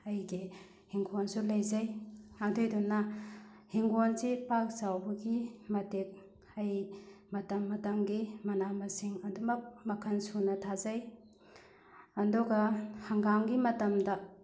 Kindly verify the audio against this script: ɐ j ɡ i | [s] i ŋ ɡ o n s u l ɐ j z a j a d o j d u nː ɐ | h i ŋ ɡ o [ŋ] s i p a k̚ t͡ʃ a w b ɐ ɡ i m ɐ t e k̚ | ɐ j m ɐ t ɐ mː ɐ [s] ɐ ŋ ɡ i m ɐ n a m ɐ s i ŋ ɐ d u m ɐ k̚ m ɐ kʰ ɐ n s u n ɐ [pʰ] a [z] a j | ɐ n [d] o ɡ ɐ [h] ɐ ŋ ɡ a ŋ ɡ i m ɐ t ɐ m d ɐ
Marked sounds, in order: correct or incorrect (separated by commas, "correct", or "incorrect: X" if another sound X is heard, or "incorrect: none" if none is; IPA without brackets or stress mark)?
incorrect: h, incorrect: n, incorrect: t, incorrect: tʰ, correct, correct, correct